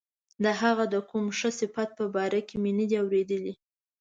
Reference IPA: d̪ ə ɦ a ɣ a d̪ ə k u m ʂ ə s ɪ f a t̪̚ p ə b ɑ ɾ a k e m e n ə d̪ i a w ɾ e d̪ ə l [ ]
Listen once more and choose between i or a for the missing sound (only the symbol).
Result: i